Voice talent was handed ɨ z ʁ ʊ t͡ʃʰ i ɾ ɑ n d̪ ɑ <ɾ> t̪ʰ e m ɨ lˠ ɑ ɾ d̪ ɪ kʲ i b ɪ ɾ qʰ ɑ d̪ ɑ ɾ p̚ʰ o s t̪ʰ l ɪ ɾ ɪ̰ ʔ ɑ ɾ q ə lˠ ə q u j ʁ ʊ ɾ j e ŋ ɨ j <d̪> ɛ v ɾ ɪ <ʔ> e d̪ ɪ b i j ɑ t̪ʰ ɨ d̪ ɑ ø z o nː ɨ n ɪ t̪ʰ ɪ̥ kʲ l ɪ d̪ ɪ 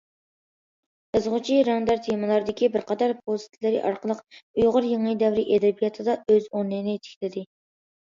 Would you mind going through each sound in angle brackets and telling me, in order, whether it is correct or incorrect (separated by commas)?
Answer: correct, correct, correct